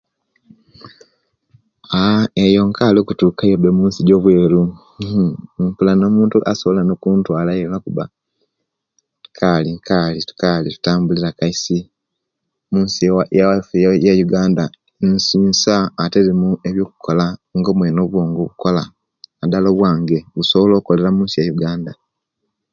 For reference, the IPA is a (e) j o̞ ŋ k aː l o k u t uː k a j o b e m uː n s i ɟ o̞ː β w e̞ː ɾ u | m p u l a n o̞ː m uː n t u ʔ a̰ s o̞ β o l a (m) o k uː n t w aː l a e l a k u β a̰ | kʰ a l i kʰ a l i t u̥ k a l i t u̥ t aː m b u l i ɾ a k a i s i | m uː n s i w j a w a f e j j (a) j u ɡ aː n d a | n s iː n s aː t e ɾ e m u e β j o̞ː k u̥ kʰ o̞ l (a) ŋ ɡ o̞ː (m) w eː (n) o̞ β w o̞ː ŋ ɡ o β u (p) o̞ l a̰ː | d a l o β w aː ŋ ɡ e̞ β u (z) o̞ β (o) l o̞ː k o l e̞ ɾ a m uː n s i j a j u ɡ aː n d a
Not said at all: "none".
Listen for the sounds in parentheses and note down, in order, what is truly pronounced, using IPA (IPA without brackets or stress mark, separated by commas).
e, n, a, a, m, n, k, s, o